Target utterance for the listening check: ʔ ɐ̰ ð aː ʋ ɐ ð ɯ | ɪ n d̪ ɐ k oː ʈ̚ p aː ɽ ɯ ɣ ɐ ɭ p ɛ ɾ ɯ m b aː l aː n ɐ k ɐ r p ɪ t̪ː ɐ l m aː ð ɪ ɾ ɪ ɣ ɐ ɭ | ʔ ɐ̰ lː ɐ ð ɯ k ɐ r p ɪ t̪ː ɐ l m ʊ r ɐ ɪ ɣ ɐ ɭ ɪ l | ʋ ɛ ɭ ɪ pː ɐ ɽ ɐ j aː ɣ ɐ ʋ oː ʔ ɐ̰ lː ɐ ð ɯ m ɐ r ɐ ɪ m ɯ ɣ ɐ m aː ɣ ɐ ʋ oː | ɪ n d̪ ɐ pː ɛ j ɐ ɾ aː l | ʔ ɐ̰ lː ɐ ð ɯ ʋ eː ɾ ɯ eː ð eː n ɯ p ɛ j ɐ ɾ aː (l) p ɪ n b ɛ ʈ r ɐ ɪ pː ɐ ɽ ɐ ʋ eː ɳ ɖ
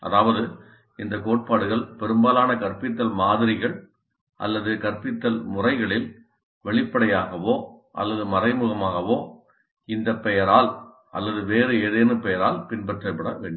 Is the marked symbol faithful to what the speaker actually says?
yes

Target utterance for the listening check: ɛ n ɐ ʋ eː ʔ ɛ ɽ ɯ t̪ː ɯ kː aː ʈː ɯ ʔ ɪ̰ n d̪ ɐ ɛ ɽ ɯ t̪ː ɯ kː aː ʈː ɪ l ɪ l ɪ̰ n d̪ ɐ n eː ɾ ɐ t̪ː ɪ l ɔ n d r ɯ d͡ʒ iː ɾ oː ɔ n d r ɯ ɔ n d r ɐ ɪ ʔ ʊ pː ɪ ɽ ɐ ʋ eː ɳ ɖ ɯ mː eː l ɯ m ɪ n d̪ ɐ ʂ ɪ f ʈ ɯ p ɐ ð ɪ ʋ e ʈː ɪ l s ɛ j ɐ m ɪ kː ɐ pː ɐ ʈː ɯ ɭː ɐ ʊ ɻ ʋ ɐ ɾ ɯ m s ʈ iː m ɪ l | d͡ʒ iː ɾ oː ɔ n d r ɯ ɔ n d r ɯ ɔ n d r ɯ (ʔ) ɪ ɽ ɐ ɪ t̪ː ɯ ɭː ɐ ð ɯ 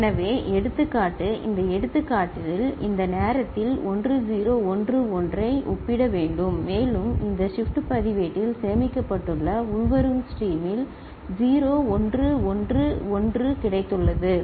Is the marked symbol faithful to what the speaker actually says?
no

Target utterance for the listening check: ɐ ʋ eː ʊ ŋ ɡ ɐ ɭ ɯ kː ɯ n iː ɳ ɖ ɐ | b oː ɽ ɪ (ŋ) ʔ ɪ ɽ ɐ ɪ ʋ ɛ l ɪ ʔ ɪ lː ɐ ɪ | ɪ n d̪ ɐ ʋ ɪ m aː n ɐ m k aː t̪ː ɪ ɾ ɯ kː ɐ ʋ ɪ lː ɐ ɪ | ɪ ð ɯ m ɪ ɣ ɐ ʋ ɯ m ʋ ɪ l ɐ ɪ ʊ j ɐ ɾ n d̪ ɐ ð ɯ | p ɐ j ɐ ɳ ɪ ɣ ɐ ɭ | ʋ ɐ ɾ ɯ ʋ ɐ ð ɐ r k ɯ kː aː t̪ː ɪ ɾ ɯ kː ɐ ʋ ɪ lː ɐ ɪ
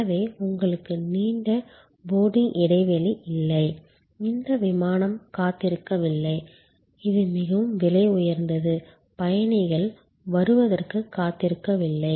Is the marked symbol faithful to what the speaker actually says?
yes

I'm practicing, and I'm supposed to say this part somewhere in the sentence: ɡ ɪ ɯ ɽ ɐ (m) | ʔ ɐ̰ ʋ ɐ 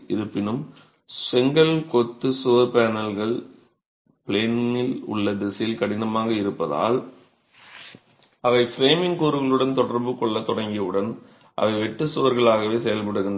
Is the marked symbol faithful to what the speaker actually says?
no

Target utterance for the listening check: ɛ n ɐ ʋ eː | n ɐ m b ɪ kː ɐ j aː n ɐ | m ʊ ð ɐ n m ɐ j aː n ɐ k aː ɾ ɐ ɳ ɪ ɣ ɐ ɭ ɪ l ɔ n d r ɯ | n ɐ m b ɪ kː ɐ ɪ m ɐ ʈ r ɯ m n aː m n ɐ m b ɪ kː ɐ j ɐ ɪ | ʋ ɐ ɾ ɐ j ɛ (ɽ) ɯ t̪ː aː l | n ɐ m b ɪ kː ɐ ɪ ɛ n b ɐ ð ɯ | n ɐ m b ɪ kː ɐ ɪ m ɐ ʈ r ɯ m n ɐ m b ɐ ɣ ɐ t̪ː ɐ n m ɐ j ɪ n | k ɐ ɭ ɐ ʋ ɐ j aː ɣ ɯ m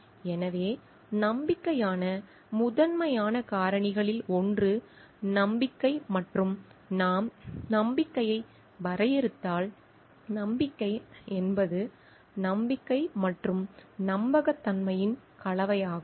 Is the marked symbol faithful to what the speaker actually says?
no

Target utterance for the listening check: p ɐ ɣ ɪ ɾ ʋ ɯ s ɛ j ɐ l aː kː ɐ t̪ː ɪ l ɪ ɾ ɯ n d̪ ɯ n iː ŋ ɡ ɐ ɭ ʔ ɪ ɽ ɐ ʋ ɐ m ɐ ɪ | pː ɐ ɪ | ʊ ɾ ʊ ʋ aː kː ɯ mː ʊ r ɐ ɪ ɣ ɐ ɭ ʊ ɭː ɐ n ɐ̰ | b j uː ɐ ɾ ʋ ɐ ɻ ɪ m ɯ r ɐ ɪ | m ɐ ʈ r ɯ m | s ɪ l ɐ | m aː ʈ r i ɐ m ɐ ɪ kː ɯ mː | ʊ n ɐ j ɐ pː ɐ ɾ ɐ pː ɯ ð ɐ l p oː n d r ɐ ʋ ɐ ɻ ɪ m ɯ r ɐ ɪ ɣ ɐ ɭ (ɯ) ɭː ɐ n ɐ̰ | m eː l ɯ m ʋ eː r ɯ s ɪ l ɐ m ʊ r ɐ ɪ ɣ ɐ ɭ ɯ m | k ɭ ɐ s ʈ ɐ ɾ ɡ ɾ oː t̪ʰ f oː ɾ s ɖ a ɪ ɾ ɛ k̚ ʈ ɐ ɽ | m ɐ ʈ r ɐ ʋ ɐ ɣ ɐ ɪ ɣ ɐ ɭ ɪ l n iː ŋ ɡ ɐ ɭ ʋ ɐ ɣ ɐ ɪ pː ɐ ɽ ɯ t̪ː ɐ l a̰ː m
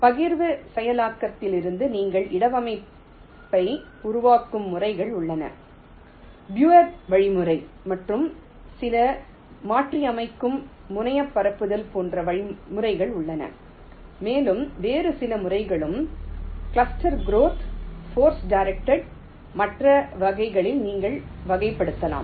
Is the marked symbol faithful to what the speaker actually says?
no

